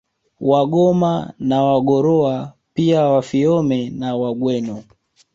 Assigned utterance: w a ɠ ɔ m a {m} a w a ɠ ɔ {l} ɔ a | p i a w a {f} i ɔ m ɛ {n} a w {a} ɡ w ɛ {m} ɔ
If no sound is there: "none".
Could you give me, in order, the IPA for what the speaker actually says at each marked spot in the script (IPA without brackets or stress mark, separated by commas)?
n, ɾ, f, n, a, n